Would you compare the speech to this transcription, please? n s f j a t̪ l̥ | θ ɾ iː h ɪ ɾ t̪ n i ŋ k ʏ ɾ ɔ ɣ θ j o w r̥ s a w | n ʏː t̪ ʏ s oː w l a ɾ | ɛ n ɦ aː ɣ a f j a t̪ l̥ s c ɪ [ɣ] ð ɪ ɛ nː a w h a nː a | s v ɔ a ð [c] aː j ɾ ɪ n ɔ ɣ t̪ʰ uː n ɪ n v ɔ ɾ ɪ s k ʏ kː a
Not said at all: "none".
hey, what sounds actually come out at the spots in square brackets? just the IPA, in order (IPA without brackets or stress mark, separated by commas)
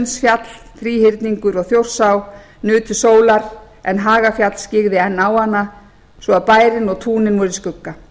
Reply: ɣ, p